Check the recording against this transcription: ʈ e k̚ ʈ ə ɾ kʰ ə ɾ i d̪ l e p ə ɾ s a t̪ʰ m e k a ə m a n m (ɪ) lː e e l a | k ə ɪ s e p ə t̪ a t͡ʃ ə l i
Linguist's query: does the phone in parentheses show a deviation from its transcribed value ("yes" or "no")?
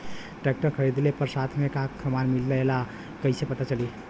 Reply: yes